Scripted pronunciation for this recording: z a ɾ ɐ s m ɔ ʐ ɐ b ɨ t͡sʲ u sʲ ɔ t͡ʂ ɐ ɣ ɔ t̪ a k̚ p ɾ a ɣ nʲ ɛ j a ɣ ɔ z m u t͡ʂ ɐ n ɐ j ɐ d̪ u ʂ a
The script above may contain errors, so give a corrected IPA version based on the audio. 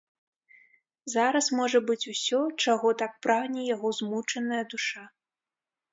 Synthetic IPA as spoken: z a ɾ ɐ s m ɔ ʐ ɐ b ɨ t͡sʲ u sʲ ɔ t͡ʂ a ɣ ɔ t̪ a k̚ p ɾ a ɣ nʲ ɛ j a ɣ ɔ z m u t͡ʂ ɐ n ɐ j ɐ d̪ u ʂ a